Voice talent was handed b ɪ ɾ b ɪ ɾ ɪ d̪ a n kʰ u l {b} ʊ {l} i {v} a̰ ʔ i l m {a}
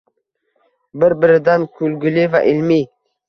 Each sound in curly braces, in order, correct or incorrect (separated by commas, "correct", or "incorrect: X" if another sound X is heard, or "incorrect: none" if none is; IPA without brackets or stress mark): incorrect: ɡ, correct, correct, incorrect: i